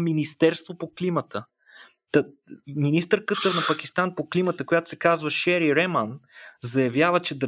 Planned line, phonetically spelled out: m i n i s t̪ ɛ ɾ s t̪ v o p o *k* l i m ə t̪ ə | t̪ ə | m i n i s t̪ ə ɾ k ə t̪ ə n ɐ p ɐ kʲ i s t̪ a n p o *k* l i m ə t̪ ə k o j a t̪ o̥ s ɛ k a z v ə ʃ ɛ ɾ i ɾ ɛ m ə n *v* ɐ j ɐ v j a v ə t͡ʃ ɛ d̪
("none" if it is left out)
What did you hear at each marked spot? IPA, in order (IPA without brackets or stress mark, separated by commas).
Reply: k, k, z